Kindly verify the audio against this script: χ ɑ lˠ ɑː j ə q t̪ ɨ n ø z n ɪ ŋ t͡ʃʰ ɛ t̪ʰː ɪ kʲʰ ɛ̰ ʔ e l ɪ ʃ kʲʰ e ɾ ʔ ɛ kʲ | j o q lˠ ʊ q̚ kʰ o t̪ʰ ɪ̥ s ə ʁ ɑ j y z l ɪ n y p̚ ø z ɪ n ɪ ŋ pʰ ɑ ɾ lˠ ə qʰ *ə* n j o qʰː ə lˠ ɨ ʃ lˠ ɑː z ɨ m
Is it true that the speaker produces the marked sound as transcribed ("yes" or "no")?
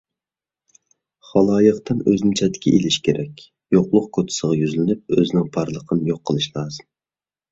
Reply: yes